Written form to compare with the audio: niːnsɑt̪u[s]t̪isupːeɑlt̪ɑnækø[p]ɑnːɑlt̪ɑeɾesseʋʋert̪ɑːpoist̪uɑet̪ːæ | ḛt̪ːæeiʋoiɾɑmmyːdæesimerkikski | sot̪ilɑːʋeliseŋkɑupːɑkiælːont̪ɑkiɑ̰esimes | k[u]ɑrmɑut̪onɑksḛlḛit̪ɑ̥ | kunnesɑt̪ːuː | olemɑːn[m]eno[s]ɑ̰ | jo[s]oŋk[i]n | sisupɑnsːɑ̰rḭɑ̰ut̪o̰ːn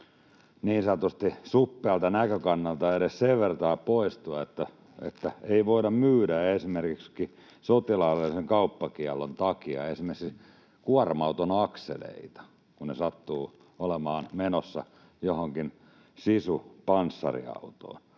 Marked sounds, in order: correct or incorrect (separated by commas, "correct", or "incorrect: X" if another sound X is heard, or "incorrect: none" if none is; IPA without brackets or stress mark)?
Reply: correct, incorrect: k, correct, correct, incorrect: sː, incorrect: h, correct